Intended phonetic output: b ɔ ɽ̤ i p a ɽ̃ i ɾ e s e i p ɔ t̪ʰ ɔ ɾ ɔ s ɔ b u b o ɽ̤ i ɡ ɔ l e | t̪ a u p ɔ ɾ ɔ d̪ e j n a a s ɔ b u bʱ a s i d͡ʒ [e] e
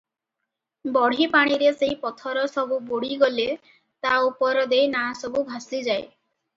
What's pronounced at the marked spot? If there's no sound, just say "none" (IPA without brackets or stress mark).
a